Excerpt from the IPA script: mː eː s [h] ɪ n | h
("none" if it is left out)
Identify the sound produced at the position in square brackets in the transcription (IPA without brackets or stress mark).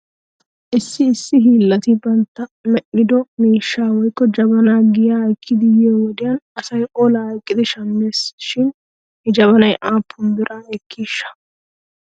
ʃ